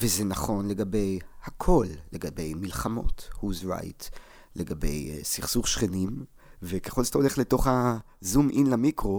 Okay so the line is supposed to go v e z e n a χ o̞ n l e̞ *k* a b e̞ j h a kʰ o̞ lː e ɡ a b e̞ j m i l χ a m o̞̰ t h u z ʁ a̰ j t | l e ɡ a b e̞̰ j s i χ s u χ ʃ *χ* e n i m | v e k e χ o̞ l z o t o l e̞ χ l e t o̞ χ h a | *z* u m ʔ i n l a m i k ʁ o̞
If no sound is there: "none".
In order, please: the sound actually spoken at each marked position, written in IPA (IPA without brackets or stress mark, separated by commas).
ɡ, χ, z